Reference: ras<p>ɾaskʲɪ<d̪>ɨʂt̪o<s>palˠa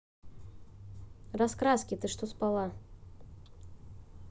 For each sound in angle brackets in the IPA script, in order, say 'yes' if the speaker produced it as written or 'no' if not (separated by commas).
no, no, yes